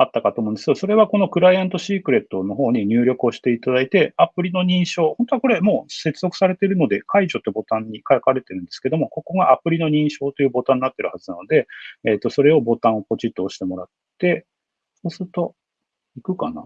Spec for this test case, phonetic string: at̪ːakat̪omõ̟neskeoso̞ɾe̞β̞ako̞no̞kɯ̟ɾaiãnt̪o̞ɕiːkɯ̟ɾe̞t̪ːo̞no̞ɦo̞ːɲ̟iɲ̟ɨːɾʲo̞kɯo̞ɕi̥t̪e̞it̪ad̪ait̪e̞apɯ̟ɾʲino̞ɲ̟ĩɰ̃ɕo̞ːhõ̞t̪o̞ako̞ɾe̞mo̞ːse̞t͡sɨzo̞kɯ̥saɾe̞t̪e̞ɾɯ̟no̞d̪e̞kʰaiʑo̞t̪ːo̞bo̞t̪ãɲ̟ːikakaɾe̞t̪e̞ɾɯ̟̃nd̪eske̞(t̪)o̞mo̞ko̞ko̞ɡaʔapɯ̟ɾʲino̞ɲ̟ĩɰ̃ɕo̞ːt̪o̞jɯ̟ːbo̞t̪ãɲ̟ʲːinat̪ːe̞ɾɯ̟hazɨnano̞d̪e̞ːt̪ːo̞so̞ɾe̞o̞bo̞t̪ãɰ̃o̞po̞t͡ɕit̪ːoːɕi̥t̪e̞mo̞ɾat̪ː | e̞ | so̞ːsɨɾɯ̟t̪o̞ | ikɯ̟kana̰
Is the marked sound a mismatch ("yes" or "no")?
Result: yes